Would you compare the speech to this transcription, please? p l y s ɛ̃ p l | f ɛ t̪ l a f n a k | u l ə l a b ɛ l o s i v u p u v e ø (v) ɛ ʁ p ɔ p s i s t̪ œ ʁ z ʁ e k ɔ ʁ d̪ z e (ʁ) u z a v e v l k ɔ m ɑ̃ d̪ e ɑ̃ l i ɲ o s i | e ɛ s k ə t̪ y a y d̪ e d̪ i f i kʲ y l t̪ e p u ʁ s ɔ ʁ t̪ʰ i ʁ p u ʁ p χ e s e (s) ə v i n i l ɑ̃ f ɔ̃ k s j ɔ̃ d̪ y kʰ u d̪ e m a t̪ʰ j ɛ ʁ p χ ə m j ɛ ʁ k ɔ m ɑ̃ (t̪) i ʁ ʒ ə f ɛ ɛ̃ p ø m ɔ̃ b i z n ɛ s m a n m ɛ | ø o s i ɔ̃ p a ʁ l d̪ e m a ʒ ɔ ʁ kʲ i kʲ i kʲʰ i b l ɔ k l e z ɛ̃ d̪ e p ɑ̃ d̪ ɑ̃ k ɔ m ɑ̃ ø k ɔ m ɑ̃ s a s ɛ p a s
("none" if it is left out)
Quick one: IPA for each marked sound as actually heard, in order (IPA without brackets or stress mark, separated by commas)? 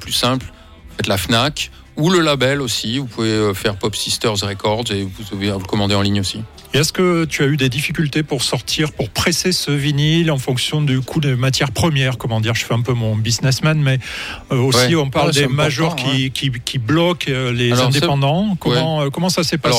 f, v, s, d̪